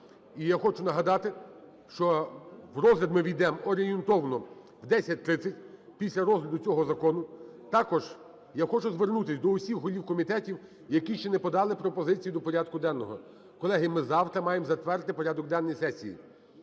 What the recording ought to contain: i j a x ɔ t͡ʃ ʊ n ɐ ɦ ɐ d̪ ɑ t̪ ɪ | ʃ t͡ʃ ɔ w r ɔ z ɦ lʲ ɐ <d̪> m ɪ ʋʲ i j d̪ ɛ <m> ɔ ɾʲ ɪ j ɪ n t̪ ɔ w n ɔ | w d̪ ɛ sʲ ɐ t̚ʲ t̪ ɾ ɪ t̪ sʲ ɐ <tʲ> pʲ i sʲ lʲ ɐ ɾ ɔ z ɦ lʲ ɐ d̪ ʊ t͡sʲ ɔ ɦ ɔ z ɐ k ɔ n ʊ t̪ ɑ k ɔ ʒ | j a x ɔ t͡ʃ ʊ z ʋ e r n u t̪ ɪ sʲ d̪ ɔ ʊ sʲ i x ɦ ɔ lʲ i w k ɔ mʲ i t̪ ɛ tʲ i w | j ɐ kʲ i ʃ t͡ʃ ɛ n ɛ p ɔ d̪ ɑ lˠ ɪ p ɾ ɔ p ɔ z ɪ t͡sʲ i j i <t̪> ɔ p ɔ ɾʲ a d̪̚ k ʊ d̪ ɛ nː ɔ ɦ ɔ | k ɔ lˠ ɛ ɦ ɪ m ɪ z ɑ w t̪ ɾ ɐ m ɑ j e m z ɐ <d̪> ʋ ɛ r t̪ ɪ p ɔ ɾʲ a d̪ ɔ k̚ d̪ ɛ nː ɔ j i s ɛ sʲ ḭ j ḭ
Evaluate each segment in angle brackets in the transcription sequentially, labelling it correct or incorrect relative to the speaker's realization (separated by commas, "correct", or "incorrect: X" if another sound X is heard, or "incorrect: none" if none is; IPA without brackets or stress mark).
correct, correct, correct, incorrect: d̪, incorrect: t̪